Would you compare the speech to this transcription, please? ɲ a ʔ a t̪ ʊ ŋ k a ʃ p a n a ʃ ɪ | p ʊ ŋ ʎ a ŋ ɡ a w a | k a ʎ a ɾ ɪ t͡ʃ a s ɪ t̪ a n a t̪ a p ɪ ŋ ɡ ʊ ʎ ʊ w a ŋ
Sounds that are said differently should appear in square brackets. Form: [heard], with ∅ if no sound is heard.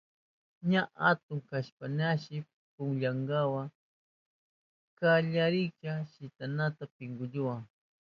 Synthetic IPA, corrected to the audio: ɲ a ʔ a t̪ ʊ ŋ k a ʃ p a n a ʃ ɪ | p ʊ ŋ ʎ a ŋ ɡ a w a | k a ʎ a ɾ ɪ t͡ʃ a [ʃ] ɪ t̪ a n a t̪ a p ɪ ŋ ɡ ʊ ʎ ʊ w a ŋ